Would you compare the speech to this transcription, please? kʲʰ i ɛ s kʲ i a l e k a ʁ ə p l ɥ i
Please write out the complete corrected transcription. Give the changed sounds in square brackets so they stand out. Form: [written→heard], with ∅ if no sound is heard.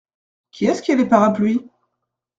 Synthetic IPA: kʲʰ i ɛ s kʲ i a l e [k→p] a ʁ [ə→a] p l ɥ i